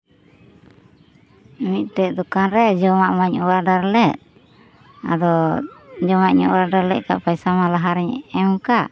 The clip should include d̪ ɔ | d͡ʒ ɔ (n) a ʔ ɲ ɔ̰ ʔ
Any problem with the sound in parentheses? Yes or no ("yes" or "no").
yes